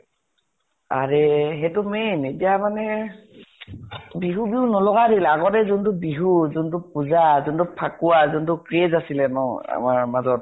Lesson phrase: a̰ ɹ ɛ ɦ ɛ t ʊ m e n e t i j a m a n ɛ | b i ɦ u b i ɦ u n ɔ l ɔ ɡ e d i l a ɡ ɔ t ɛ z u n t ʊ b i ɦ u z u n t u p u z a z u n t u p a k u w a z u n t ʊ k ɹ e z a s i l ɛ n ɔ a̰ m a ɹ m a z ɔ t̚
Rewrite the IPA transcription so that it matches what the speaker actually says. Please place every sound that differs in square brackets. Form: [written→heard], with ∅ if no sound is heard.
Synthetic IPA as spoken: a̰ ɹ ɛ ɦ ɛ t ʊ m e n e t i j a m a n ɛ | b i ɦ u b i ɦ u n ɔ l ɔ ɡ [e→a] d i l a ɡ ɔ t ɛ z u n t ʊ b i ɦ u z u n t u p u z a z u n t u [p→pʰ] a k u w a z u n t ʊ k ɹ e z a s i l ɛ n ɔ a̰ m a ɹ m a z ɔ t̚

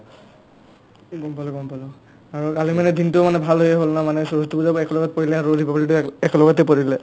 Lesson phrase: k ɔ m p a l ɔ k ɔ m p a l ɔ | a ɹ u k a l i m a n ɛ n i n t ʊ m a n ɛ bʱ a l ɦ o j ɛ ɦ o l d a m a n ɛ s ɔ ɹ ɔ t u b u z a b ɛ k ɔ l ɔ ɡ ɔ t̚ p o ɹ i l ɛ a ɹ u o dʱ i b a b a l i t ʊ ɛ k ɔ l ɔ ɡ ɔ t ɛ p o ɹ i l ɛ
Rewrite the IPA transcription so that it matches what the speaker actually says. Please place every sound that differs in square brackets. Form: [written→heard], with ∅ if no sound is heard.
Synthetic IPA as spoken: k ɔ m p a l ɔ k ɔ m p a l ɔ | a ɹ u k a l i m a n ɛ [n→d] i n t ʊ m a n ɛ bʱ a l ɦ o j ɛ ɦ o l [d→n] a m a n ɛ s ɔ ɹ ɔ t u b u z a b ɛ k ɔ l ɔ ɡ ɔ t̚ p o ɹ i l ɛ a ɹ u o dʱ i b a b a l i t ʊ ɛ k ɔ l ɔ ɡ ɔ t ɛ p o ɹ i l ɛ

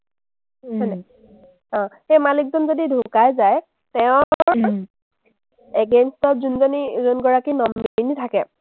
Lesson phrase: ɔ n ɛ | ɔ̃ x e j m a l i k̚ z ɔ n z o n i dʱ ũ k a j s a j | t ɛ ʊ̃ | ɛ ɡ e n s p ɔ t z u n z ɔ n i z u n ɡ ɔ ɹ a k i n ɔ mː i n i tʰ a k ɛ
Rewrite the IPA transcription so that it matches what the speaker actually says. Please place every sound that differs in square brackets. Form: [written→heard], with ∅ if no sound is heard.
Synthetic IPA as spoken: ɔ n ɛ | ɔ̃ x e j m a l i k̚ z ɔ n z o [n→d] i dʱ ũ k a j [s→z] a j | t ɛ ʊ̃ | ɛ ɡ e n s [p→t] ɔ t z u n z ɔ n i z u n ɡ ɔ ɹ a k i n ɔ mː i n i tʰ a k ɛ

